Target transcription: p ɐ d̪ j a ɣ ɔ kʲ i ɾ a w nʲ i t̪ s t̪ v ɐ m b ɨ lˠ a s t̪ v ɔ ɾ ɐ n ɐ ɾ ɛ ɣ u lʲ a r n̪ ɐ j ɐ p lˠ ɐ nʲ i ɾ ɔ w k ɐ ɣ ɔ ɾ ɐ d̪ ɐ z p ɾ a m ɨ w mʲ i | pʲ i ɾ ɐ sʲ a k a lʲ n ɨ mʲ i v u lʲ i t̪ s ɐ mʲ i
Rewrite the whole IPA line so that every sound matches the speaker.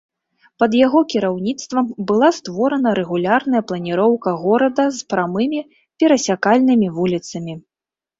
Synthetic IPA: p ɐ d̪ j a ɣ ɔ kʲ i ɾ a w nʲ i t̪ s t̪ v ɐ m b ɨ lˠ a s t̪ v ɔ ɾ ɐ n ɐ ɾ ɛ ɣ u lʲ a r n̪ ɐ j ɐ p lˠ ɐ nʲ i ɾ ɔ w k ɐ ɣ ɔ ɾ ɐ d̪ ɐ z p ɾ a m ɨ mʲ i | pʲ ɛ ɾ ɐ sʲ a k a lʲ n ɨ mʲ i v u lʲ i t̪ s ɐ mʲ i